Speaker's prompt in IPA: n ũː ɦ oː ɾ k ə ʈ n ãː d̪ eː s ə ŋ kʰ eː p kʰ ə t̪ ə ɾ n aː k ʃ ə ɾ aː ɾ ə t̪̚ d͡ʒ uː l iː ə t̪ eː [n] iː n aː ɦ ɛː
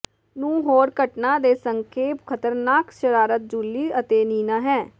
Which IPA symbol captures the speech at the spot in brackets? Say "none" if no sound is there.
n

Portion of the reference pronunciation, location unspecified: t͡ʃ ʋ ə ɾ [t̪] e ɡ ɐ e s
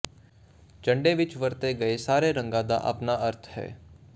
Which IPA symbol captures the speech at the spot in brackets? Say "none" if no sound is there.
t̪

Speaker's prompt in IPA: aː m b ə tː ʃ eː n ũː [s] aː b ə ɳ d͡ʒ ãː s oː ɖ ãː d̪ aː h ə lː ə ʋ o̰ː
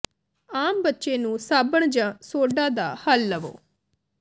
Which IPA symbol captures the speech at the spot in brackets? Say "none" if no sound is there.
s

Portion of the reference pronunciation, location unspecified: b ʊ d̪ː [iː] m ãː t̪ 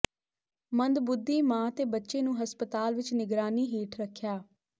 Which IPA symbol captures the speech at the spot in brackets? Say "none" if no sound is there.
iː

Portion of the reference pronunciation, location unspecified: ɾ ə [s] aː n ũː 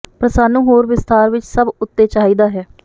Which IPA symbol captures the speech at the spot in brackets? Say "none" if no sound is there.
s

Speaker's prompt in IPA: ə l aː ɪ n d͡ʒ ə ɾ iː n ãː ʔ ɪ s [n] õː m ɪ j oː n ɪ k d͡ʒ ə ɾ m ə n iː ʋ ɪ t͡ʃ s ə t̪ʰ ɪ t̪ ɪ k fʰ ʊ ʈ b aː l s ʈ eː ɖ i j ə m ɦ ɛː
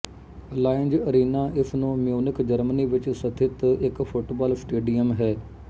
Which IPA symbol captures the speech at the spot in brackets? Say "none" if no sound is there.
n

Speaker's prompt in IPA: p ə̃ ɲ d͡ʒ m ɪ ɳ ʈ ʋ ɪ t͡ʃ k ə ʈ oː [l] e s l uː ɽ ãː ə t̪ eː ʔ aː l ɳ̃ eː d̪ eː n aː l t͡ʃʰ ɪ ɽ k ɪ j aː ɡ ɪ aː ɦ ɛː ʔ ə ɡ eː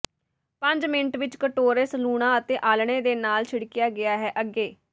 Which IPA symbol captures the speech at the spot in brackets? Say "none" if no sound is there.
ɾ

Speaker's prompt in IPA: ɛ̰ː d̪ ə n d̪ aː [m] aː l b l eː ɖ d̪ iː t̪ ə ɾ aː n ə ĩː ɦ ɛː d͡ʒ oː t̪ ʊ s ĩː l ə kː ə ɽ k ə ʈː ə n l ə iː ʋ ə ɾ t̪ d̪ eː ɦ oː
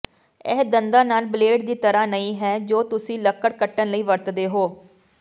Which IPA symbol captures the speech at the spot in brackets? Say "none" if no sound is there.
n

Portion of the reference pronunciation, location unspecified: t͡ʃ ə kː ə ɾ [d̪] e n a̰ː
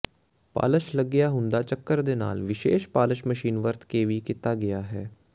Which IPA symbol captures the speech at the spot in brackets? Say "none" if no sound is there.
d̪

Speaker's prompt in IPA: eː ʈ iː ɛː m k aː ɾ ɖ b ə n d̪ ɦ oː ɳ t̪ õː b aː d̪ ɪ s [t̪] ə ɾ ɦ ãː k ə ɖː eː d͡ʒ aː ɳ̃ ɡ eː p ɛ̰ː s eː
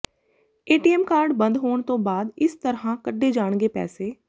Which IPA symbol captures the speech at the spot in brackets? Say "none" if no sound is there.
t̪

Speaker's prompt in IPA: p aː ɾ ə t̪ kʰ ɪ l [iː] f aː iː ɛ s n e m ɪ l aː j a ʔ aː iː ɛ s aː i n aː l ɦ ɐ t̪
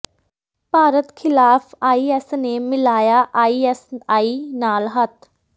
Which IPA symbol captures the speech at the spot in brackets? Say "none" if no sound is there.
aː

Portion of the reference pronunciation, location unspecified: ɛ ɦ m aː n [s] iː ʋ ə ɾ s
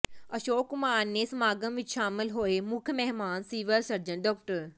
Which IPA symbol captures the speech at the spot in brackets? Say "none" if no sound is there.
s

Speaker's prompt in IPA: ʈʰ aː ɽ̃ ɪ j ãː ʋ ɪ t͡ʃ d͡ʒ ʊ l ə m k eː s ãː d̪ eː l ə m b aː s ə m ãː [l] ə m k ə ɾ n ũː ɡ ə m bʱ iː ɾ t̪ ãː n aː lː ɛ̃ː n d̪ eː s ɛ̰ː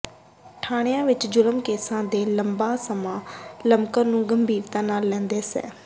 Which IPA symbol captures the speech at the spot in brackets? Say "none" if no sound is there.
l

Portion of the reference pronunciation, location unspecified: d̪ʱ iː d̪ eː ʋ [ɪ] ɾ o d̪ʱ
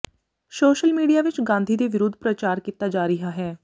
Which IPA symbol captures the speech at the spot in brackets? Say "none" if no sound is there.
ɪ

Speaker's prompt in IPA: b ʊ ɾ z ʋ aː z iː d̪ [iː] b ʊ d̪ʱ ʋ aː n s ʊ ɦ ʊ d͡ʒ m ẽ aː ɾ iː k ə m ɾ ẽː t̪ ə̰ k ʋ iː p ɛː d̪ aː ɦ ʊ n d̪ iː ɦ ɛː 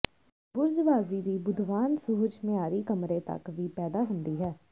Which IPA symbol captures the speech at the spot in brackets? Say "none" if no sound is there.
iː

